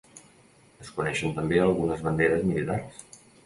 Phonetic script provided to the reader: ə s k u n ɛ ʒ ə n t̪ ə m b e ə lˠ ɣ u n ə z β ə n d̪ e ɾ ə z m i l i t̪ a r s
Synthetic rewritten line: ə s k u n ɛ ʃ ə n t̪ ə m b e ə lˠ ɣ u n ə z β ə n d̪ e ɾ ə z m i l i t̪ a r s